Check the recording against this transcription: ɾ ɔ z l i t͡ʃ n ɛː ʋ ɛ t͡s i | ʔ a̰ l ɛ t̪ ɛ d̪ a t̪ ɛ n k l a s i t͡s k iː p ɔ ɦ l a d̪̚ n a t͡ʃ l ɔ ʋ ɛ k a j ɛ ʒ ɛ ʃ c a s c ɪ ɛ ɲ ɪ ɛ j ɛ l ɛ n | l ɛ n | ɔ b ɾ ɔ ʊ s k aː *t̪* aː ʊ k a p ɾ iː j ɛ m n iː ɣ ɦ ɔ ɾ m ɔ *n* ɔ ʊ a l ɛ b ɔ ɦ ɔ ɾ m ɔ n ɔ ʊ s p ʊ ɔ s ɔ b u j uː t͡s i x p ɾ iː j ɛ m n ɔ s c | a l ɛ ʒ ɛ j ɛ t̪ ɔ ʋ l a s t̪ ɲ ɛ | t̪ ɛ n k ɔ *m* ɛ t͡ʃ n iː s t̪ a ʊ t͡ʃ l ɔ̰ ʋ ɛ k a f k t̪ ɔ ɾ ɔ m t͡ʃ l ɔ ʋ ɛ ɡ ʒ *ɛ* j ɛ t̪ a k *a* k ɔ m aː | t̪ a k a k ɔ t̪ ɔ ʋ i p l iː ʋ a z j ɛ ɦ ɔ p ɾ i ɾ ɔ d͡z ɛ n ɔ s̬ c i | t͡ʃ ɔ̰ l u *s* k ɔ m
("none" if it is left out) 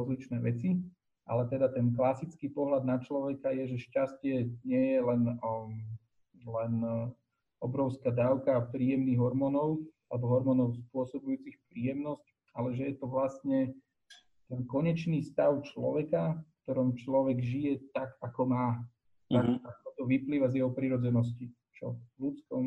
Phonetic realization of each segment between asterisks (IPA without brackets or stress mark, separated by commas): d̪, n, ɲ, i, a, t͡s